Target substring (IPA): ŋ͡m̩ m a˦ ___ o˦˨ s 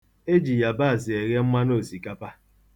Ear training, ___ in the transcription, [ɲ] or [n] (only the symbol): n